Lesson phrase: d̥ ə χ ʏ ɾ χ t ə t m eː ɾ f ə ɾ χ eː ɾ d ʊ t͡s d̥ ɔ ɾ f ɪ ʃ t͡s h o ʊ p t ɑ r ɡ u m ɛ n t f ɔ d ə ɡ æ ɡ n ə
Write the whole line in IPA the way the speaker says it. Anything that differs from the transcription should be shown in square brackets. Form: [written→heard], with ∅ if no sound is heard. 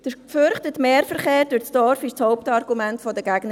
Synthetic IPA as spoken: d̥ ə [χ→f] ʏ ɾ χ t ə t m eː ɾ f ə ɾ χ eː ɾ d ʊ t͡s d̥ ɔ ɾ f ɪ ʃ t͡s h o ʊ p t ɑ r ɡ u m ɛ n t f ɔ d ə ɡ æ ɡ n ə

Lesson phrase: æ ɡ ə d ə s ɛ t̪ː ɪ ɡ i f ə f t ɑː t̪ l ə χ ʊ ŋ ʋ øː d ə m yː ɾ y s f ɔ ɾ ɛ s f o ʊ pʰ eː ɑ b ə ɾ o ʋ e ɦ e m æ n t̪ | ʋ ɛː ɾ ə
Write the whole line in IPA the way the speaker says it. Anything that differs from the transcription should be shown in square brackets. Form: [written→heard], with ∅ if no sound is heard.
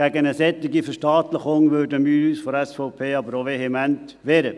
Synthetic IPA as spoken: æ ɡ ə [d→n] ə s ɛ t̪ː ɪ ɡ i f ə [f→ʃ] t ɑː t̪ l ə χ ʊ ŋ ʋ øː d ə m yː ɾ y s f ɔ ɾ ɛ s f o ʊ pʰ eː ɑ b ə ɾ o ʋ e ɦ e m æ n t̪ | ʋ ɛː ɾ ə

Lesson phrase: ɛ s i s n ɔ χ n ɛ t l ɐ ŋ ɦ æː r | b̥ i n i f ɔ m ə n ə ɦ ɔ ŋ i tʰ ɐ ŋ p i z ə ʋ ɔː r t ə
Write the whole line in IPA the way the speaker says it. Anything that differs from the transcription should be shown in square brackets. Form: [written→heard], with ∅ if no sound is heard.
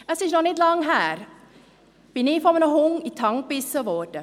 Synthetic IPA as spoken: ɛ s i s n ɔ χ n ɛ t l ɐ ŋ ɦ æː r | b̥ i n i f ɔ m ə n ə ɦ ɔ ŋ i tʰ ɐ ŋ p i [z→s] ə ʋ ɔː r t ə

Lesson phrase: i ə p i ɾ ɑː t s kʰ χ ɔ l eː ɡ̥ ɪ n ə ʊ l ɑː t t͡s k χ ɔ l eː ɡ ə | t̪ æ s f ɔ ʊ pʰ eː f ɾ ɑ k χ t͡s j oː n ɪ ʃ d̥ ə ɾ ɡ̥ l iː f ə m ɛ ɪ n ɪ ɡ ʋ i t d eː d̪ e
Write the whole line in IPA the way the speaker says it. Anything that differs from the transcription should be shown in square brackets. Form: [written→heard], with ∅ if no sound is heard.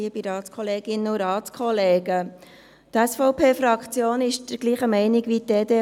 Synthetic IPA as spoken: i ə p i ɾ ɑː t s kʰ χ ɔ l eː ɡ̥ ɪ n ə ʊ [l→ɾ] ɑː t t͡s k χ ɔ l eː ɡ ə | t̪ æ s f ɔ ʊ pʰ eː f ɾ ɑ k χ t͡s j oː n ɪ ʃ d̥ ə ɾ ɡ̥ l iː [f→χ] ə m ɛ ɪ n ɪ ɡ ʋ i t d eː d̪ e

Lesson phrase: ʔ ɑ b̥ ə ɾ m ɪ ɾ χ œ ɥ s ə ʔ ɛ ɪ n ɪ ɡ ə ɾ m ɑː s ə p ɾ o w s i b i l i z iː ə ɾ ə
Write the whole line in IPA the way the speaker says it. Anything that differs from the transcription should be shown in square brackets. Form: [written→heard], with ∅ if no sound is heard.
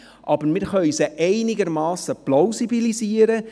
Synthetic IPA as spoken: ʔ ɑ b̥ ə ɾ m ɪ ɾ χ œ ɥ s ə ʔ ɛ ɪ n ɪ ɡ ə ɾ m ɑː s ə p [ɾ→l] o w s i b i l i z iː ə ɾ ə

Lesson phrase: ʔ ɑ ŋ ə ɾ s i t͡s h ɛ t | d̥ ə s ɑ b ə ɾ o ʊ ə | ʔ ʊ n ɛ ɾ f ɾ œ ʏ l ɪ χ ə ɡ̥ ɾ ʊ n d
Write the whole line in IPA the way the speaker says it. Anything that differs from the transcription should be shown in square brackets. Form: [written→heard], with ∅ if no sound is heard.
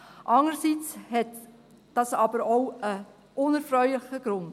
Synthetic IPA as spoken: ʔ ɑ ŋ ə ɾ s i t͡s h ɛ t | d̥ [ə→ɑ] s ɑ b ə ɾ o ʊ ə | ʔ ʊ n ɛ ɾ f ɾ œ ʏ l ɪ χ ə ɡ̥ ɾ ʊ n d

